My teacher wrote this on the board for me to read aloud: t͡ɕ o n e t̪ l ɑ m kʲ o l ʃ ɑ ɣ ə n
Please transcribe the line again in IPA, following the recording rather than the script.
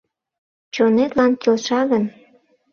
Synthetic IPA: t͡ɕ o n e t̪ l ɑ n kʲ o l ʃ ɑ ɣ ə n